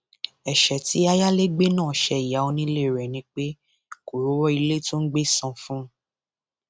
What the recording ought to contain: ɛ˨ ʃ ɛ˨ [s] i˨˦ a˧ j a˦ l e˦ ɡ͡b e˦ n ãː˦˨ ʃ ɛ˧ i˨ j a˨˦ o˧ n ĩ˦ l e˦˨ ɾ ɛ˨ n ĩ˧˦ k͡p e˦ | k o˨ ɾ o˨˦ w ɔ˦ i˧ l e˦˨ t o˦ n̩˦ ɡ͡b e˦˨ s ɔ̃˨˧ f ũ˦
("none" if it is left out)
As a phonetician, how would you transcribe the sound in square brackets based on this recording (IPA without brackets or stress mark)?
t